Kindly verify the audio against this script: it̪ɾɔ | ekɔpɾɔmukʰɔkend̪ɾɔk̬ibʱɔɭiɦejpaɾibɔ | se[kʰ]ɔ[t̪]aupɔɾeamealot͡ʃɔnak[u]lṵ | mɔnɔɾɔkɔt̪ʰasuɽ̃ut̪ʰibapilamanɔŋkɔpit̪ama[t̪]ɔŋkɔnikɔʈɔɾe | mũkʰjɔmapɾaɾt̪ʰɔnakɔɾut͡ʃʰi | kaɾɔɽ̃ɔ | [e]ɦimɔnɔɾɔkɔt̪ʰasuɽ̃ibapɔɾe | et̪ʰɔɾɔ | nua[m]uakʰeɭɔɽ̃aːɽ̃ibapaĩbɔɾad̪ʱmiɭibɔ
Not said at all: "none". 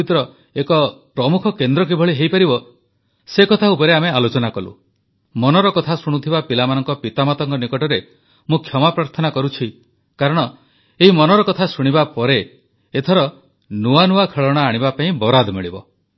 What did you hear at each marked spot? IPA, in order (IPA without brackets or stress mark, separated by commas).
k, t̪ʰ, ɔ, t̪, e, n